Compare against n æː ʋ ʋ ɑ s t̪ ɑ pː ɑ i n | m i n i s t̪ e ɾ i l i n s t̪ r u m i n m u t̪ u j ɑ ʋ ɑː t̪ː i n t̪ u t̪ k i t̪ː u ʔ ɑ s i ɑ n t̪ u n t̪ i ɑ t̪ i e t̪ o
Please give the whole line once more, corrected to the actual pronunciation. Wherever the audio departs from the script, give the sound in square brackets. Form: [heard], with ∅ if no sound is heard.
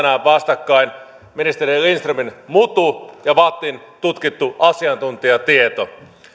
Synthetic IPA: n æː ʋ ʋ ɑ s t̪ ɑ [kː] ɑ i n | m i n i s t̪ e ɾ i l i n s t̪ r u m i n m u t̪ u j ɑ ʋ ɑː t̪ː i n t̪ u t̪ k i t̪ː u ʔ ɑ s i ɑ n t̪ u n t̪ i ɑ t̪ i e t̪ o